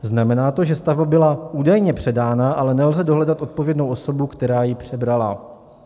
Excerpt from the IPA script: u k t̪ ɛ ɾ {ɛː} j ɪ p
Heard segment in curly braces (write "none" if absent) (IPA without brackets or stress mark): aː